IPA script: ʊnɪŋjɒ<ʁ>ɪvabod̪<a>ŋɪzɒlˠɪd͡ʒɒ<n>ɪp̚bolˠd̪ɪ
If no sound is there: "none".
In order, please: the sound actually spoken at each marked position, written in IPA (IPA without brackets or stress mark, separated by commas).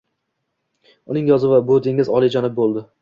z, e, n